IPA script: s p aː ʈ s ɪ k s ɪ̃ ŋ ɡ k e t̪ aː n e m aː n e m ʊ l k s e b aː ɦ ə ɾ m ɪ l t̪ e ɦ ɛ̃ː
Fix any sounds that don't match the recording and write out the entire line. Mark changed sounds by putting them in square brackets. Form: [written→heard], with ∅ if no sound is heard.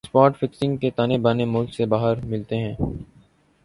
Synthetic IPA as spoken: s p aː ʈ [s→f] ɪ k s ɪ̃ ŋ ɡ k e t̪ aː n e [m→b] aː n e m ʊ l k s e b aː ɦ ə ɾ m ɪ l t̪ e ɦ ɛ̃ː